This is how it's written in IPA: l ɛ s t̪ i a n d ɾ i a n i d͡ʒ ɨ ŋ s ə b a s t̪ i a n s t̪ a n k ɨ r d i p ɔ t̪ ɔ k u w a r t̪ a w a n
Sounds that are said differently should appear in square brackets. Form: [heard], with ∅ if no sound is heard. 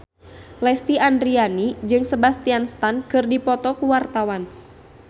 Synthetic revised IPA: l ɛ s t̪ i a n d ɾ i a n i d͡ʒ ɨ ŋ s ə b a s t̪ i a n s t̪ a n k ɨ r d i p ɔ t̪ ɔ k u w a r t̪ a w a n

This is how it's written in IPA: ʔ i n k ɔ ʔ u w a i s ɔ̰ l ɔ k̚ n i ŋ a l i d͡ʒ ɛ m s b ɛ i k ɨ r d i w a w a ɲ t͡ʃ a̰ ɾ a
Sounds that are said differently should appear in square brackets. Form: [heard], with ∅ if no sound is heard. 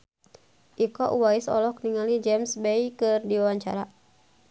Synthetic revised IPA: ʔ i [∅] k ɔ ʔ u w a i s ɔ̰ l ɔ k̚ n i ŋ a l i d͡ʒ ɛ m s b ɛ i k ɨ r d i w a w a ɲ t͡ʃ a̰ ɾ a

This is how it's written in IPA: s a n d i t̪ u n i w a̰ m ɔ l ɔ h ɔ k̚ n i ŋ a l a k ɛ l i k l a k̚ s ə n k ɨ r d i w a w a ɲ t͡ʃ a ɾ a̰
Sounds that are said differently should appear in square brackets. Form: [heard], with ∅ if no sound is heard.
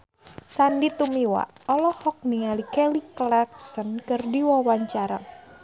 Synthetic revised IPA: s a n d i t̪ u [m] i w a̰ [∅] ɔ l ɔ h ɔ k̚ n i ŋ a l [i] k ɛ l i k l a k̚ s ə n k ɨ r d i w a w a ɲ t͡ʃ a ɾ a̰

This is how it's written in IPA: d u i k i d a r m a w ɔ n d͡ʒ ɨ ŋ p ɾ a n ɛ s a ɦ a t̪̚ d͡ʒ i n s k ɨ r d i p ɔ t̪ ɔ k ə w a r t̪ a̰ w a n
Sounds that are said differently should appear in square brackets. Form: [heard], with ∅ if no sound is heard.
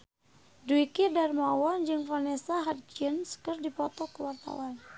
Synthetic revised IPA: d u i k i d a r m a w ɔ n d͡ʒ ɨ ŋ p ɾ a n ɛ s a ɦ a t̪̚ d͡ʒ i n s k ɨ r d i p ɔ t̪ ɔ k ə w a r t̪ a̰ w a n

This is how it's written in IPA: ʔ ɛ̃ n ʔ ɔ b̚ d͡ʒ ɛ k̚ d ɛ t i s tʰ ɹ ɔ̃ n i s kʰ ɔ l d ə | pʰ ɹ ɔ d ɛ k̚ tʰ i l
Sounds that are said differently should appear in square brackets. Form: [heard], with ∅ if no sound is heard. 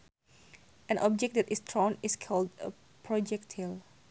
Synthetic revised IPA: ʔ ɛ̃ n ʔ ɔ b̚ d͡ʒ ɛ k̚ d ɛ t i s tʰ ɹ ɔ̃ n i s kʰ ɔ l d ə | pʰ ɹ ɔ [d͡ʒ] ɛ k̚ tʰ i l

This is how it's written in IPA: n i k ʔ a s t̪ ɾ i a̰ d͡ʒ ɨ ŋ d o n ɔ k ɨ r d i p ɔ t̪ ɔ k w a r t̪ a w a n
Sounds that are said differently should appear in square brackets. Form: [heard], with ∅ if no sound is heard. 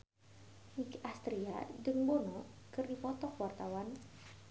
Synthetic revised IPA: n i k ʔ a s t̪ ɾ i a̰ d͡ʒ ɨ ŋ [b] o n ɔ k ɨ r d i p ɔ t̪ ɔ k w a r t̪ a w a n

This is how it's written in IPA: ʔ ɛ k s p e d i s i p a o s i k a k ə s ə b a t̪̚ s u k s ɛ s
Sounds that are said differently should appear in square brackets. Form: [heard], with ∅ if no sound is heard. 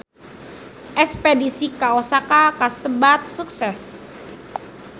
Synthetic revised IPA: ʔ ɛ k s p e d i s i [k] a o s [a] k a k [a] s ə b a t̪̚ s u k s ɛ s

